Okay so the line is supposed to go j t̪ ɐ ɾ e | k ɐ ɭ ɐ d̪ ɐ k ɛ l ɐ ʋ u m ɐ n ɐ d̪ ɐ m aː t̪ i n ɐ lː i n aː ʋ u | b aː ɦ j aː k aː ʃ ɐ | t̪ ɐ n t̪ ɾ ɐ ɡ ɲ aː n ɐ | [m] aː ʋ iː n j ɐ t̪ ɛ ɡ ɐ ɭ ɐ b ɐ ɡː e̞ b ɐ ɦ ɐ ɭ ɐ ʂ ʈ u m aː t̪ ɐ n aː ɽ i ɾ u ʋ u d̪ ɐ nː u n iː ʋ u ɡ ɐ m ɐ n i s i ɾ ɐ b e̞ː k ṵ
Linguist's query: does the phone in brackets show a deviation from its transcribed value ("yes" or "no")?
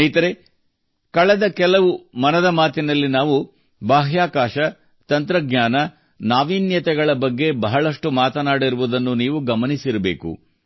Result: yes